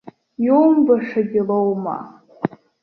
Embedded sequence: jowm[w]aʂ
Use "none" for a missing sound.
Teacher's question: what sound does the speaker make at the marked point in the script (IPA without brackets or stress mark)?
b